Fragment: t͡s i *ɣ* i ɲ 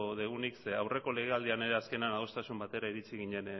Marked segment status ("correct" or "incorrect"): correct